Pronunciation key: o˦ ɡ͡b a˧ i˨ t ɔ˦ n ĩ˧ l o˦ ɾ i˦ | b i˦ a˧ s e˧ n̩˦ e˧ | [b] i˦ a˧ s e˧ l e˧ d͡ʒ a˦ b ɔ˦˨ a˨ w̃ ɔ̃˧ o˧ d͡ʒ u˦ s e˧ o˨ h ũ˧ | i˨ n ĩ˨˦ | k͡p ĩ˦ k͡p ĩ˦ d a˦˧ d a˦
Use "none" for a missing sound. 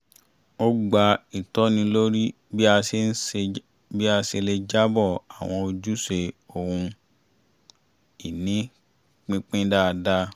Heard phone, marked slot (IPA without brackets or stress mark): b